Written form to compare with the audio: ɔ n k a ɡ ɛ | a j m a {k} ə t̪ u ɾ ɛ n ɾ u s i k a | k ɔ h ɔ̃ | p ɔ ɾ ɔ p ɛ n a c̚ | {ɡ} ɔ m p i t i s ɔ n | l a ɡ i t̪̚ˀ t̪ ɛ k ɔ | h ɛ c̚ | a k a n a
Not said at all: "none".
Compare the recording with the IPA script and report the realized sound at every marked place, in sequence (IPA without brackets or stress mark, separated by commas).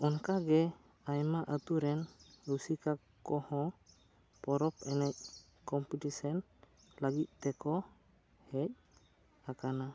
ʔ, k